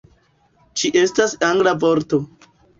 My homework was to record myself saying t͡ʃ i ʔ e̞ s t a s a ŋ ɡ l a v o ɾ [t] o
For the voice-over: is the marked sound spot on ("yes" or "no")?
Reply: yes